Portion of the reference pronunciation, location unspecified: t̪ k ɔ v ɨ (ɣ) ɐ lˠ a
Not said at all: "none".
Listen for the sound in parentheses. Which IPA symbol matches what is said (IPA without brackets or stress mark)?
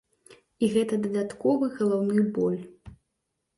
ɣ